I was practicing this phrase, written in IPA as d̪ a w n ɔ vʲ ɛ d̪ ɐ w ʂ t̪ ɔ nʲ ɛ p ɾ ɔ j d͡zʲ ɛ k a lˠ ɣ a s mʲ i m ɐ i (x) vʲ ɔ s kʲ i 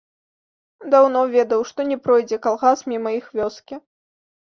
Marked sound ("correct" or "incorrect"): correct